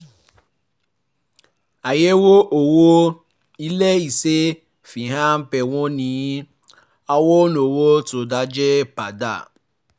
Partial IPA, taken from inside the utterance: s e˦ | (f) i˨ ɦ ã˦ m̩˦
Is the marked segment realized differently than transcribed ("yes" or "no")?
no